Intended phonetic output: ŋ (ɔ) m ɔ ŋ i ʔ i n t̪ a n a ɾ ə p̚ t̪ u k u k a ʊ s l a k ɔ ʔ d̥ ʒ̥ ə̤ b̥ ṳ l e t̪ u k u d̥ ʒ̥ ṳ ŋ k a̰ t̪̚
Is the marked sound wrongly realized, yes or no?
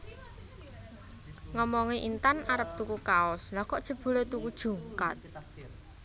no